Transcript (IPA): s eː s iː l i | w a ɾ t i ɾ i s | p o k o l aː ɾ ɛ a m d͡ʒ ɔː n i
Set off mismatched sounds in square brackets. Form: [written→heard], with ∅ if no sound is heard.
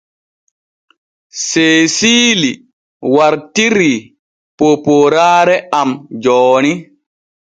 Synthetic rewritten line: s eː s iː l i | w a ɾ t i ɾ i [s→∅] | p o [k→p] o [l→ɾ] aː ɾ ɛ a m d͡ʒ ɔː n i